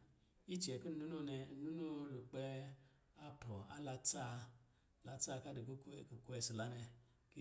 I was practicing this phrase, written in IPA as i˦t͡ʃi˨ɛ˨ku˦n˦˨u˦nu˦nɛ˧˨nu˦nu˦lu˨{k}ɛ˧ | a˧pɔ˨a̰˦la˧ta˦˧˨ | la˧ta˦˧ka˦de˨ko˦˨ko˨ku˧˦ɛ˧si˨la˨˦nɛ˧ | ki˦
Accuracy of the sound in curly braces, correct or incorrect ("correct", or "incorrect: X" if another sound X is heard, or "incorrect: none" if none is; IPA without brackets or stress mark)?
incorrect: k͡p